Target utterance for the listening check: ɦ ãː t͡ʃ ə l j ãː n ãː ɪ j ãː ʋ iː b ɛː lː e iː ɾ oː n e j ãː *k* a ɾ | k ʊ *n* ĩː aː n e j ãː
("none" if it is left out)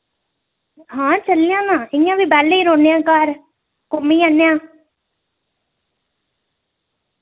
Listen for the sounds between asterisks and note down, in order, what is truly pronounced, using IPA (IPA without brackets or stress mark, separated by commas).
k, m